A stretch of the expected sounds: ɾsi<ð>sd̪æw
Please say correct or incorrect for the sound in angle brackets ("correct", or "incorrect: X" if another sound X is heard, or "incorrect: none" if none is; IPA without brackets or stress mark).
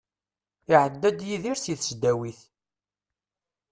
incorrect: θ